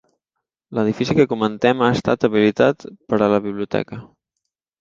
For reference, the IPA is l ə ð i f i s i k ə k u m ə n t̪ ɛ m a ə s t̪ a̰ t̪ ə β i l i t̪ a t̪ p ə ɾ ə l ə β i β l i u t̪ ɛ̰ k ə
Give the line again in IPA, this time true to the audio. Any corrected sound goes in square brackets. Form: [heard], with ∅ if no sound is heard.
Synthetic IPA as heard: l ə ð i f i s i k ə k u m ə n t̪ ɛ m a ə s t̪ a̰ t̪ ə β i l i t̪ a t̪ p ə ɾ ə l ə β i β l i u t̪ ɛ̰ k ə